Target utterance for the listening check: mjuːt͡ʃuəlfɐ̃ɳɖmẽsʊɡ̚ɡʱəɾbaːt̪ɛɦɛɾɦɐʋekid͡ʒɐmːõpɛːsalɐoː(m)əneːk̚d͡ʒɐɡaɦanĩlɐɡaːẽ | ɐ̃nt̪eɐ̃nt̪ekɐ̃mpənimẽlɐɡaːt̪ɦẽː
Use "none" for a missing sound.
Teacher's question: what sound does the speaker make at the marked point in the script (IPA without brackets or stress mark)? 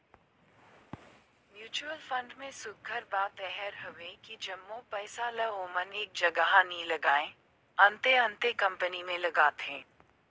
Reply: m